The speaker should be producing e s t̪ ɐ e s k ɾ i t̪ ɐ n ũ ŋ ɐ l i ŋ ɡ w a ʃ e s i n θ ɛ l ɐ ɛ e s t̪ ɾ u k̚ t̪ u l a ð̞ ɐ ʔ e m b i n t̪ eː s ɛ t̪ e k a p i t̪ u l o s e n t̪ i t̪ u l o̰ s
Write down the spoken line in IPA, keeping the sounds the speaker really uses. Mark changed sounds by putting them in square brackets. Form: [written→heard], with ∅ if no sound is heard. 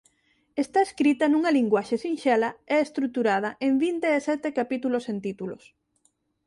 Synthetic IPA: e s t̪ [ɐ→a] e s k ɾ i t̪ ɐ n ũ ŋ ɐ l i ŋ ɡ w a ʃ e s i n [θ→ʃ] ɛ l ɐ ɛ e s t̪ ɾ u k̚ t̪ u [l→ɾ] a ð̞ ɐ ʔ e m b i n t̪ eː s ɛ t̪ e k a p i t̪ u l o s e n t̪ i t̪ u l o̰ s